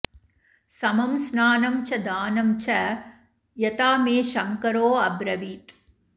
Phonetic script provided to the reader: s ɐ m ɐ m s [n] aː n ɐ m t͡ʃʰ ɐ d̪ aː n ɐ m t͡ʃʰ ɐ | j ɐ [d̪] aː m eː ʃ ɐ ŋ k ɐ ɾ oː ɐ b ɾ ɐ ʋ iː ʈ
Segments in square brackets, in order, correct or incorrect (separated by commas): correct, incorrect